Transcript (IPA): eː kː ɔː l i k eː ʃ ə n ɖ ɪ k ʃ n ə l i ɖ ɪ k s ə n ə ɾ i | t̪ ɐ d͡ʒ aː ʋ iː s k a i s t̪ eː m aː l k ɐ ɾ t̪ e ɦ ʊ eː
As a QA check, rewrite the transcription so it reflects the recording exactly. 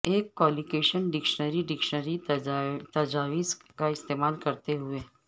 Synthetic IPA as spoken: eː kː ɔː l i k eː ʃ ə n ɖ ɪ k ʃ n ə ɾ i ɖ ɪ k ʃ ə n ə ɾ i | t̪ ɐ d͡ʒ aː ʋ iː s k a ɪ s t̪ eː m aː l k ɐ ɾ t̪ e ɦ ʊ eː